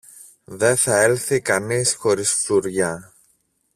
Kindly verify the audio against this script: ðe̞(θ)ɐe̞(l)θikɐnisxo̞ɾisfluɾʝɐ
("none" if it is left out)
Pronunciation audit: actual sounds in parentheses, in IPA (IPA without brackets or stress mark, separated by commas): θ, l